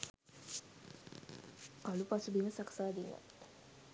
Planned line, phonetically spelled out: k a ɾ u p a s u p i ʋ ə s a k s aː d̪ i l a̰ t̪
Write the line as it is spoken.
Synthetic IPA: k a l u p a s u b i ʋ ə s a k s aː d̪ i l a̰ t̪